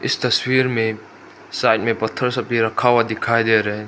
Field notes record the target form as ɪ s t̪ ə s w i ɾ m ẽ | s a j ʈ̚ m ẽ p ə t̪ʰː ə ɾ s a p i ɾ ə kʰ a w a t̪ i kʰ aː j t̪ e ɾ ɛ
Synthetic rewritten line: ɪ s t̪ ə s w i ɾ m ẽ | s a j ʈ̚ m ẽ p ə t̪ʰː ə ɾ s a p i ɾ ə kʰ a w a d̪ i kʰ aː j d̪ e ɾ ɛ